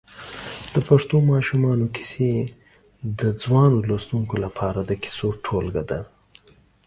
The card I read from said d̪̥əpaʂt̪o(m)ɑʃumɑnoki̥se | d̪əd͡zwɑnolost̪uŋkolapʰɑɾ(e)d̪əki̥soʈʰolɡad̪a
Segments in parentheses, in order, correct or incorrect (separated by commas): correct, incorrect